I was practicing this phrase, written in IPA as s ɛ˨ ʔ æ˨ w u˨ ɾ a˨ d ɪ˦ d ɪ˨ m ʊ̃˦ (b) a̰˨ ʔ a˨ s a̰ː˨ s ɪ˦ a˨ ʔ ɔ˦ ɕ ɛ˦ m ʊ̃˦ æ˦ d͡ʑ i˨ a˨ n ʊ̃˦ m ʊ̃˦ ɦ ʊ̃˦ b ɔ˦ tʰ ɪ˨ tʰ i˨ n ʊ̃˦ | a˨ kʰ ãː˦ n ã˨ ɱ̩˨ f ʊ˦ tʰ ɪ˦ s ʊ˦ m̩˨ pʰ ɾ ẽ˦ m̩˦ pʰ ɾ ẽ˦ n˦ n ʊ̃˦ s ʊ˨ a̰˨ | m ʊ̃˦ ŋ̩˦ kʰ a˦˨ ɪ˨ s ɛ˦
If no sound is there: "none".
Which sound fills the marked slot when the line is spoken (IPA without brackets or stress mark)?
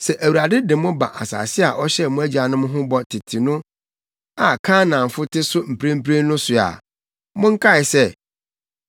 b